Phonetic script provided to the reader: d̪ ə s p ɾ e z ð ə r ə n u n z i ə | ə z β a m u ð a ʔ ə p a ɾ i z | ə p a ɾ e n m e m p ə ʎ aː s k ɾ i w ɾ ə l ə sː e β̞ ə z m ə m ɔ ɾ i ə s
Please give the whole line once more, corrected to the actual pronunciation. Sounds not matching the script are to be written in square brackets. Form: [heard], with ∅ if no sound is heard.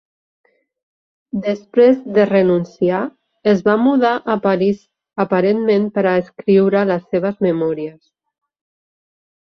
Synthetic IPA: d̪ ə s p ɾ e z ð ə r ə n u n [s] i [a] | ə z β a m u ð a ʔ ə p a ɾ i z | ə p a ɾ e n m e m p ə [ɾ] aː s k ɾ i w ɾ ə l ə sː e β̞ ə z m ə m ɔ ɾ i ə s